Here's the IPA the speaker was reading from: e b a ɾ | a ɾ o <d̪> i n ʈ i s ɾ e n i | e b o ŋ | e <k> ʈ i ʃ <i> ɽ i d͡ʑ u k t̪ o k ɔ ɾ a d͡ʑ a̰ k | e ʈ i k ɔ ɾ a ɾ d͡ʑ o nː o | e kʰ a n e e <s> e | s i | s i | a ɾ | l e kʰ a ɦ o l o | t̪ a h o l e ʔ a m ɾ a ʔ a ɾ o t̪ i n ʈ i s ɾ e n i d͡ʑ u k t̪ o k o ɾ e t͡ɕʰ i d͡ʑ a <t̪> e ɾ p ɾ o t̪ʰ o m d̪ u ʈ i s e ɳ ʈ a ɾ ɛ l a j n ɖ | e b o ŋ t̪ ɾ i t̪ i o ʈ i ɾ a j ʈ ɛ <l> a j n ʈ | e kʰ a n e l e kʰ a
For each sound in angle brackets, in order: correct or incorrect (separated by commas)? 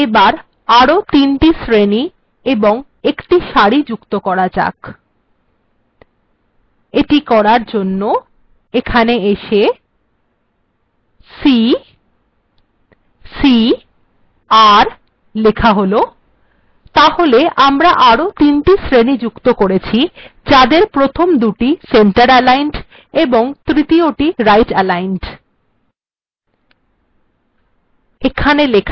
incorrect, correct, incorrect, incorrect, incorrect, correct